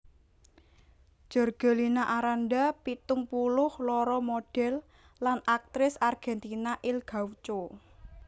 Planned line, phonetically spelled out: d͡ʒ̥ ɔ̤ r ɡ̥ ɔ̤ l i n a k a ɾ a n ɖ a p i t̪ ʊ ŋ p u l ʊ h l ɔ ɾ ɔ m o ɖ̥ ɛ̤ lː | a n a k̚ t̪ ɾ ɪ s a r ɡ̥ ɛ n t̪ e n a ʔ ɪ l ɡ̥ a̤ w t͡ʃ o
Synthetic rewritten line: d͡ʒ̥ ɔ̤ r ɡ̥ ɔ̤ l i n a ʔ a ɾ a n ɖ a p i t̪ ʊ ŋ p u l ʊ h l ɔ ɾ ɔ m o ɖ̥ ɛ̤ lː | a n a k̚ t̪ ɾ ɪ s a r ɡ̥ ɛ n t̪ i n a ʔ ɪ l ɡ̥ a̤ w t͡ʃ o